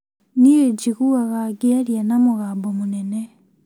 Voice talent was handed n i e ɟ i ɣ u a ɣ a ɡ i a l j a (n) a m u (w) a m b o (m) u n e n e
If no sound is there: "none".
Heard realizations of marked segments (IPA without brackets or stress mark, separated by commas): n, ɣ, m